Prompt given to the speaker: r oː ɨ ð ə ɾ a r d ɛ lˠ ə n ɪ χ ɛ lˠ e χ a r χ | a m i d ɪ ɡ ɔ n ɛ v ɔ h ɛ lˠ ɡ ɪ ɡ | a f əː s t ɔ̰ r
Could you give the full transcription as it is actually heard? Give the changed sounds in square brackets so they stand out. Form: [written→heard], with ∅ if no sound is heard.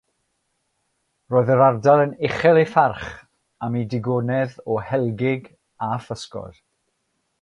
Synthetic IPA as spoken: r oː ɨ ð ə ɾ a r d [ɛ→a] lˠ ə n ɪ χ ɛ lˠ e [χ→f] a r χ | a m i d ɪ ɡ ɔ n ɛ [v→ð] ɔ h ɛ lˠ ɡ ɪ ɡ | a f [əː→ə] s [t→k] ɔ̰ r